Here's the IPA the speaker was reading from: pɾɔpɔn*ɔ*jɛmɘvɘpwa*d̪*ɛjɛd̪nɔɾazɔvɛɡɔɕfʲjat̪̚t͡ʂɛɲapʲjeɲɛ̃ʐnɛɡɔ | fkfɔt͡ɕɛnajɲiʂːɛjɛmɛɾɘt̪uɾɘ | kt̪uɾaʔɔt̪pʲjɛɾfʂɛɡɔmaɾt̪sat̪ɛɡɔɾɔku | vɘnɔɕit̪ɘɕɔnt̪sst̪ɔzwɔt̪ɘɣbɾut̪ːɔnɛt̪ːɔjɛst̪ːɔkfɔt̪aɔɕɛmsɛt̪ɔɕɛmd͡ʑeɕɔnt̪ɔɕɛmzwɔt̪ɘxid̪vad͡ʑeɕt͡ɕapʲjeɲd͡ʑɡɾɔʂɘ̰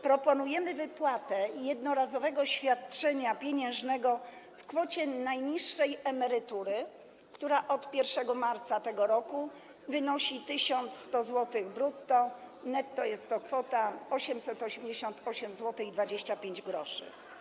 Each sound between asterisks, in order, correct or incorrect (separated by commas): incorrect, incorrect